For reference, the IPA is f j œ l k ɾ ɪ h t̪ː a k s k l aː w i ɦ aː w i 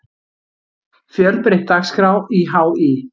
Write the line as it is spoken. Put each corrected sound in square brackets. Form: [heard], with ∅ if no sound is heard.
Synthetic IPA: f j œ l [p] ɾ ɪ h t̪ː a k s k [ɾ] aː w i ɦ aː w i